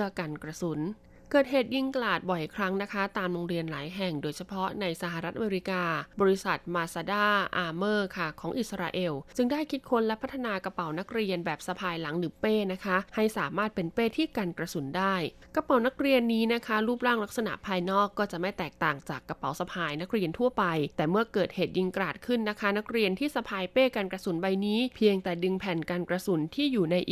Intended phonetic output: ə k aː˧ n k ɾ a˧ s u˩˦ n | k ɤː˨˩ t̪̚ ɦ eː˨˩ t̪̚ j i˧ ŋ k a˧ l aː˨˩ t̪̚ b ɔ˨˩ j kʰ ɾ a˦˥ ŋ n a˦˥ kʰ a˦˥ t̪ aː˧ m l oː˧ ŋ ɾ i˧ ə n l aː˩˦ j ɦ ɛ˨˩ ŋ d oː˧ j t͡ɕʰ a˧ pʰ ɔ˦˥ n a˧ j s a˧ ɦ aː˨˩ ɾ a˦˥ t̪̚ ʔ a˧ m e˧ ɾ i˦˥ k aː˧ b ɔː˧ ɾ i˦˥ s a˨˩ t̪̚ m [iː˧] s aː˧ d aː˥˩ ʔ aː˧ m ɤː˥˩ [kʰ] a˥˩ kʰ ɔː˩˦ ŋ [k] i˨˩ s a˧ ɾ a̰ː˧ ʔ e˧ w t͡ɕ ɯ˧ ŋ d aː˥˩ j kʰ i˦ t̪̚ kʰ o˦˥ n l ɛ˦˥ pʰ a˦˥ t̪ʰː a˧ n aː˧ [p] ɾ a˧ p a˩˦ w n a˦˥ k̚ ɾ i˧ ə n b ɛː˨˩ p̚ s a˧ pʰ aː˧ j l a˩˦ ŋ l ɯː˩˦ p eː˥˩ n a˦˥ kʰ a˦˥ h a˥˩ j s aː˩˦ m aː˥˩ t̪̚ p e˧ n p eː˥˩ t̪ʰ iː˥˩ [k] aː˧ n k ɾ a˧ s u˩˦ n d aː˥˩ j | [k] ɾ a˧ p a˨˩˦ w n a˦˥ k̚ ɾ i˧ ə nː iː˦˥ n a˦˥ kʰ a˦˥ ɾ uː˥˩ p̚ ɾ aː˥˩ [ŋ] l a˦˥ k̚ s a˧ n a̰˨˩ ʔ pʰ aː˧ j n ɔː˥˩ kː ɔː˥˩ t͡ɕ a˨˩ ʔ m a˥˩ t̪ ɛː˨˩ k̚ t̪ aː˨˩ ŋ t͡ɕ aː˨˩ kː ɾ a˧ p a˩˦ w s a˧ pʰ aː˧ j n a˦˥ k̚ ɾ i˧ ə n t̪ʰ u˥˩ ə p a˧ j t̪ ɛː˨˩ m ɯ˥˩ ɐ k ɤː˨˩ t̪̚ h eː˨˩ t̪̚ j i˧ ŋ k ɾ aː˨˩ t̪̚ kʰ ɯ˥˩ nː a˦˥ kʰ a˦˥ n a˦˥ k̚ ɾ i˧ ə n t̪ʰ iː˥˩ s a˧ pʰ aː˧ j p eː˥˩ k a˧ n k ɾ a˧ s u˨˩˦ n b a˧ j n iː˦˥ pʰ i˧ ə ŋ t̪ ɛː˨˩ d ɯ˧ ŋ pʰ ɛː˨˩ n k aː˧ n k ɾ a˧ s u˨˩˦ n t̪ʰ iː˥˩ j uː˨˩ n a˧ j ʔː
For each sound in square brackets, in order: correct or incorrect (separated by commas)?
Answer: incorrect, correct, incorrect, incorrect, correct, correct, correct